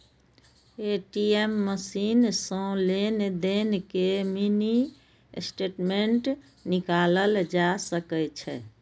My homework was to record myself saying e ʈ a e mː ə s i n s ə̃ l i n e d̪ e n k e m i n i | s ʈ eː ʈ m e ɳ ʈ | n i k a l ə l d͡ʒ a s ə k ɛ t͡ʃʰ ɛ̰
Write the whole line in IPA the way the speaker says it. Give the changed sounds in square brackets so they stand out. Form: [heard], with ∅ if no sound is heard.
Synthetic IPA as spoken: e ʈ [i] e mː ə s i n s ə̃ l [e] n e d̪ e n k e m i n i | s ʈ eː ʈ m e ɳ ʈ | n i k a l ə l d͡ʒ a s ə k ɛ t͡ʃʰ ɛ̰